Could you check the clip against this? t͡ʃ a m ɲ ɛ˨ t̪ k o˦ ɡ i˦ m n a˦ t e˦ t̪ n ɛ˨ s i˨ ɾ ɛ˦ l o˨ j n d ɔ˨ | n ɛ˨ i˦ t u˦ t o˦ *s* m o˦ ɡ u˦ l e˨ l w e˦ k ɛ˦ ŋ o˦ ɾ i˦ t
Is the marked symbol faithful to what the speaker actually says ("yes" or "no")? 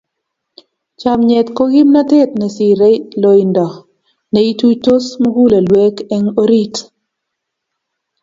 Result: yes